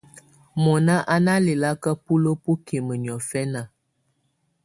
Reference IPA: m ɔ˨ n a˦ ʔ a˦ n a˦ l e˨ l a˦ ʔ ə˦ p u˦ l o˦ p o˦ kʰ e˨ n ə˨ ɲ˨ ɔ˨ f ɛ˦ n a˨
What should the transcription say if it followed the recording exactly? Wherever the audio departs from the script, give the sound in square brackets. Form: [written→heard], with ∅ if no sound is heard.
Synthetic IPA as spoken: m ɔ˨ n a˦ ʔ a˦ n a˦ l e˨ l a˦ [ʔ→k] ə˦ p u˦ l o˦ p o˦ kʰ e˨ [n→m] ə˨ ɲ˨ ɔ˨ f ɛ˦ n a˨